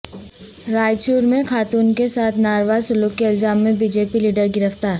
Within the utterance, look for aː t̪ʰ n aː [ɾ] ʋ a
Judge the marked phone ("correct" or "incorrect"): correct